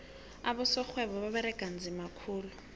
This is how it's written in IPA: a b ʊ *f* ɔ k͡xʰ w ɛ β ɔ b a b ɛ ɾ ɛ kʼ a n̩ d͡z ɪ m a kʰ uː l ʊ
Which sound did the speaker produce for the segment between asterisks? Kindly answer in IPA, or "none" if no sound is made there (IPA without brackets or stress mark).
s